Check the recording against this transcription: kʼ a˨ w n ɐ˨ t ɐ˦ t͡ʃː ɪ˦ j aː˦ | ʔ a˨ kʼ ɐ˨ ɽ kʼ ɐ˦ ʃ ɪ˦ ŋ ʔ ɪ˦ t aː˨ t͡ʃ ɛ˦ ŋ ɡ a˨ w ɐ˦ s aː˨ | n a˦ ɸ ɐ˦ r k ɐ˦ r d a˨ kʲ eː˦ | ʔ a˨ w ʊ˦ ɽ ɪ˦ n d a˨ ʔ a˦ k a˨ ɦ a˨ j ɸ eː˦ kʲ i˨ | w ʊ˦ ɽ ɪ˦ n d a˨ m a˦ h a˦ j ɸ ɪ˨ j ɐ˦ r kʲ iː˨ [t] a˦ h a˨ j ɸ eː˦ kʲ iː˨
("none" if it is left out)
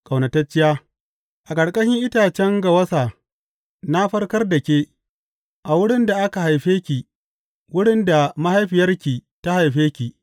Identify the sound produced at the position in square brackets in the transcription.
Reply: t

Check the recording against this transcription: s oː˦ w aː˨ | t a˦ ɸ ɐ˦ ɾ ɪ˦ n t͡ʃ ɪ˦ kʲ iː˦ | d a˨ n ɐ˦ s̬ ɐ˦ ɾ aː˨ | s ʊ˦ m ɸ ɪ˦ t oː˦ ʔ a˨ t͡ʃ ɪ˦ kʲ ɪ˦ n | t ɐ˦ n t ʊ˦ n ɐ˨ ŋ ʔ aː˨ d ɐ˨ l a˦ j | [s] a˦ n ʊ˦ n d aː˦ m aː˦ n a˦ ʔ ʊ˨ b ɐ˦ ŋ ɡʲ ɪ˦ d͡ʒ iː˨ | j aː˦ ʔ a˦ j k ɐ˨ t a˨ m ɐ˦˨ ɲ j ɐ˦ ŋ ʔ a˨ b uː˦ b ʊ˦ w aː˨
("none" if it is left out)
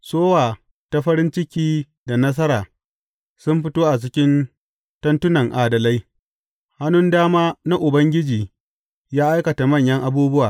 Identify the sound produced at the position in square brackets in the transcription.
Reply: h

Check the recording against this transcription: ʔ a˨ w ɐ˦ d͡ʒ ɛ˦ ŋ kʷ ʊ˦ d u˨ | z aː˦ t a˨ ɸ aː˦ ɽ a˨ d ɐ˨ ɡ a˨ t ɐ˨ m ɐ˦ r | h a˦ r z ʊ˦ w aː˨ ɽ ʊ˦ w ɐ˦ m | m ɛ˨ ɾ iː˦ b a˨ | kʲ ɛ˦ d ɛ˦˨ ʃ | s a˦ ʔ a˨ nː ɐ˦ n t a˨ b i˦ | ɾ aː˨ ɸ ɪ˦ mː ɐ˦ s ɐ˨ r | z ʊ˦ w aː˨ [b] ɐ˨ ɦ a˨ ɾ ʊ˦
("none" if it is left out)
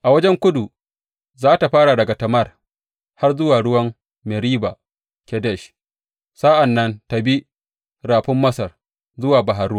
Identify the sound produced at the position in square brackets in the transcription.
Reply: b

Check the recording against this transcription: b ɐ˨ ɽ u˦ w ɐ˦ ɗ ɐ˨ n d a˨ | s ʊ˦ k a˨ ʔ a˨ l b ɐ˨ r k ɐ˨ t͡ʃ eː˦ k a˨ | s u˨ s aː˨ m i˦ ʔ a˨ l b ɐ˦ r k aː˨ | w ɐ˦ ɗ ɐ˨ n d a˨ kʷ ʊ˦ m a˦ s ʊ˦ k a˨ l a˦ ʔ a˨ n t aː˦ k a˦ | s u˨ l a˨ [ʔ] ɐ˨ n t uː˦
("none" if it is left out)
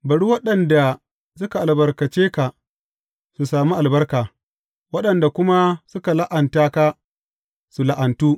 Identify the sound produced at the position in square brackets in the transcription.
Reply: ʔ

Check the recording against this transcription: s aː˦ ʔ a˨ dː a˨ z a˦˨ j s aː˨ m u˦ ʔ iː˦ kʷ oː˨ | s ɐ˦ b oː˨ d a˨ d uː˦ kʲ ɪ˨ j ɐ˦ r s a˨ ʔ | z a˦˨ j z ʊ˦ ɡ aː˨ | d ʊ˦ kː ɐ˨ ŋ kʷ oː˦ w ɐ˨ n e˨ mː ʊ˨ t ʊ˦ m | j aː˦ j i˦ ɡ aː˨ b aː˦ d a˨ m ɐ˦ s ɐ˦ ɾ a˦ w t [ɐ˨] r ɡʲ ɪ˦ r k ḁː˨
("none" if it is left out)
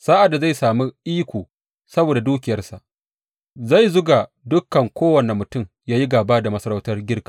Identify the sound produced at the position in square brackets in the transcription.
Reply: ɐ˦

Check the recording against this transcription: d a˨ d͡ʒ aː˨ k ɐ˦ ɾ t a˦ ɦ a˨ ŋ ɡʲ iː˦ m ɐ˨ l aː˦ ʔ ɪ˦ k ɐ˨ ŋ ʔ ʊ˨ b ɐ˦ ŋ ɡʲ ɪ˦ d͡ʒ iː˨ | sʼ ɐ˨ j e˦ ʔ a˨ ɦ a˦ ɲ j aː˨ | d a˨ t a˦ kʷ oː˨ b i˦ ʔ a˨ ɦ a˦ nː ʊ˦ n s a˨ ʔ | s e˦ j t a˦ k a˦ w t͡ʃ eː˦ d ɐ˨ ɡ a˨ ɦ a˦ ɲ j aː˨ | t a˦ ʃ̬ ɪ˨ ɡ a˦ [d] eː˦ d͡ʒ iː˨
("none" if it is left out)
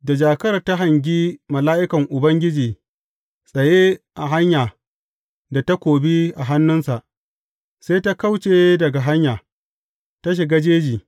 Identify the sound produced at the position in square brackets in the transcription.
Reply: d͡ʒ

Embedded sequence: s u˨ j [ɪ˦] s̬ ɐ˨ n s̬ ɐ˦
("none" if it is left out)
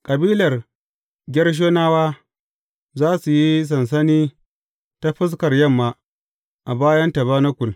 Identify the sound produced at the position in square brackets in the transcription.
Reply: i˦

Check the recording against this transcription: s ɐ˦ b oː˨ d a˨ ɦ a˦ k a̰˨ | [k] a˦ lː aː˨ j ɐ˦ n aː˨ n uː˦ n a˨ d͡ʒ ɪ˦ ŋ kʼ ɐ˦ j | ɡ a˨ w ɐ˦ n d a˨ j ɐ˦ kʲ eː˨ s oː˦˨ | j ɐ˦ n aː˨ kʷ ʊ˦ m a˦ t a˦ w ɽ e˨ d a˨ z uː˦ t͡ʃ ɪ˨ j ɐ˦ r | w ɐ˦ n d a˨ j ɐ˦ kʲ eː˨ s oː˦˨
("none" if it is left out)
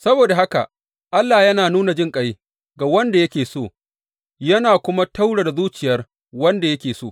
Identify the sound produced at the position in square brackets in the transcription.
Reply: ʔ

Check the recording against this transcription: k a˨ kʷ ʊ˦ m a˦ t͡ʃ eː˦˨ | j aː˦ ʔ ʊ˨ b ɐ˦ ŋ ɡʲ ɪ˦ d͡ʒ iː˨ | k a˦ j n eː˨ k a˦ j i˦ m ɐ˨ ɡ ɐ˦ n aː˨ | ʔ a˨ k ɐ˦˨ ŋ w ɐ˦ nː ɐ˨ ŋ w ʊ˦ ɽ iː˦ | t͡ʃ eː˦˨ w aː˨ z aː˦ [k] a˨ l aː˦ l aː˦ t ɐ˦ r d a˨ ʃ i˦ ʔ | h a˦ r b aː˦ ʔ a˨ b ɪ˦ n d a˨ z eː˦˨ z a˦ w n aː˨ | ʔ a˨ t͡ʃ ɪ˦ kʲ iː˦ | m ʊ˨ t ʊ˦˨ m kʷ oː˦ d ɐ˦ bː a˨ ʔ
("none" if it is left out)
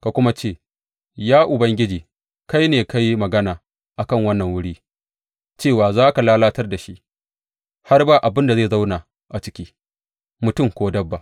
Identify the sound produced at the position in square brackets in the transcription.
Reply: k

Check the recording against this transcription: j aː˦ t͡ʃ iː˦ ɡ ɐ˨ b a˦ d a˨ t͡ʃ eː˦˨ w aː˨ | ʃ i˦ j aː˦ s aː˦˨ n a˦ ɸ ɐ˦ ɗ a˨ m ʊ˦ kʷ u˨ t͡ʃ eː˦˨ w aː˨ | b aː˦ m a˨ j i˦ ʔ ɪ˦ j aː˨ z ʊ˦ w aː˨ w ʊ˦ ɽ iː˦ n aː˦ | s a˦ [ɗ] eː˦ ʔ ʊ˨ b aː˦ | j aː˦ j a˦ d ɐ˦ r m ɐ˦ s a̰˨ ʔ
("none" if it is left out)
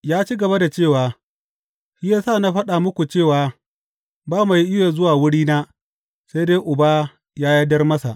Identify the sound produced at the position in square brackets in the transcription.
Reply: d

